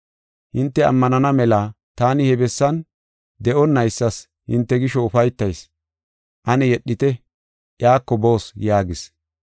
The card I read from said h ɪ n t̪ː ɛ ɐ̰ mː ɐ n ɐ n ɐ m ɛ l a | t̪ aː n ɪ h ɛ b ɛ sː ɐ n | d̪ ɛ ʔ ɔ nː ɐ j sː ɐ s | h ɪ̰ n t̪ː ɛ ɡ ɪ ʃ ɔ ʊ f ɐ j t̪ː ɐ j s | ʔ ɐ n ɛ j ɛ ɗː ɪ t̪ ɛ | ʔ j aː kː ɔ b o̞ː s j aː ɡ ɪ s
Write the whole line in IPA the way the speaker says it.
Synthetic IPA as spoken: h ɪ n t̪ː ɛ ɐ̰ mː ɐ n ɐ n ɐ m ɛ l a | t̪ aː n ɪ h ɛ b ɛ sː ɐ n | d̪ ɛ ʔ ɔ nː ɐ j sː ɐ s | h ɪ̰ n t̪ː ɛ ɡ ɪ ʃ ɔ ʊ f ɐ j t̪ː ɐ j s | ʔ ɐ n ɛ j ɛ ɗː ɪ t̪ ɛ | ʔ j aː kː ɔ b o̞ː s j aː ɡ ɪ s